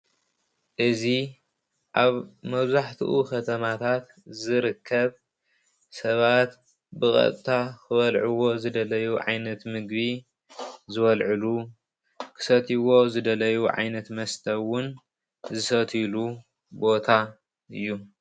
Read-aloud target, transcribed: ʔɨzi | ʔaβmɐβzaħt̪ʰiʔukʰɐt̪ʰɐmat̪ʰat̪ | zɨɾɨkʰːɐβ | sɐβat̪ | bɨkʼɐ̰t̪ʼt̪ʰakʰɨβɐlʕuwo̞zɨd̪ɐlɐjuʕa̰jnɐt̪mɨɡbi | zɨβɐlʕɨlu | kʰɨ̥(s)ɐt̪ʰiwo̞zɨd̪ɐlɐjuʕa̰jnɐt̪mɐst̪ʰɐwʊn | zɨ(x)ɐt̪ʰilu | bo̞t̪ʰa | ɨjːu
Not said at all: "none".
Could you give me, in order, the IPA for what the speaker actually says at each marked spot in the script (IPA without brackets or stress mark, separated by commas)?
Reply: s, s